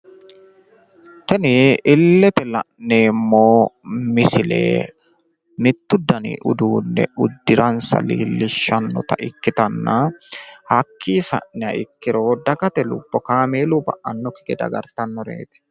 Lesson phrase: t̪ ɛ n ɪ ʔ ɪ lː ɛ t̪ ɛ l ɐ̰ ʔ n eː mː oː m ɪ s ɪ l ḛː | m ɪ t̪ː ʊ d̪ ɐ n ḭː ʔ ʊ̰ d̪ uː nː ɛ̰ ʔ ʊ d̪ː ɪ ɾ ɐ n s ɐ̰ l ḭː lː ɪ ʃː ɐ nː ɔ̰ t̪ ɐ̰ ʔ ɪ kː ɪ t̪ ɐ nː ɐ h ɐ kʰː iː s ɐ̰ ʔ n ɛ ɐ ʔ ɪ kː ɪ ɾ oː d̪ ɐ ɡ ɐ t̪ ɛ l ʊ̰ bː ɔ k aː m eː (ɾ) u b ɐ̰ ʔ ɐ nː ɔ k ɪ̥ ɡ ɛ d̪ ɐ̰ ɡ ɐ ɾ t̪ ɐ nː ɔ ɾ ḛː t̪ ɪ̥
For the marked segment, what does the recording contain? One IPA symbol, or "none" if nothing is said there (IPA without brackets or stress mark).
l